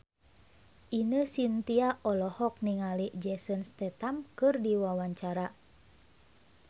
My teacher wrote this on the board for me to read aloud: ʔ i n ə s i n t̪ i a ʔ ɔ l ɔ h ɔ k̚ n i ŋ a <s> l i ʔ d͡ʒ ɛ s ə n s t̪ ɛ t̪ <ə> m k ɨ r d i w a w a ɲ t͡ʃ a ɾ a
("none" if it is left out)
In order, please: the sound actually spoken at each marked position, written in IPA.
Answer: none, a

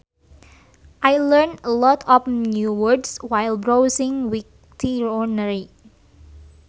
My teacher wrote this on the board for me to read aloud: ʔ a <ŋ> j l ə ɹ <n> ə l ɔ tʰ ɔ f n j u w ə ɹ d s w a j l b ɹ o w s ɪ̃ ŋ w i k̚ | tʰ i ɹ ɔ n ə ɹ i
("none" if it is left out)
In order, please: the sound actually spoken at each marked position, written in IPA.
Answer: none, n

